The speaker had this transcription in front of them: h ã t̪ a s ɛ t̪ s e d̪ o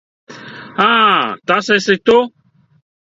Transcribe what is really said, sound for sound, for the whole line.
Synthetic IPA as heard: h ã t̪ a s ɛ s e t̪ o